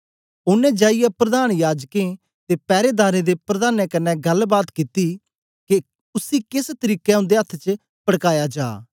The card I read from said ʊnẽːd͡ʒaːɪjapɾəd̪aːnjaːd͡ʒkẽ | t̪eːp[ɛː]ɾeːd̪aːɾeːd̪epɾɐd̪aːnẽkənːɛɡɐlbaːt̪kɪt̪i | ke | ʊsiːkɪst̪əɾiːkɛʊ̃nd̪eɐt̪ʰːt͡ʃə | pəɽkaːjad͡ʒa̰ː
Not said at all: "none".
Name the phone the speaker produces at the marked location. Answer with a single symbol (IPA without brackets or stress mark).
ɛː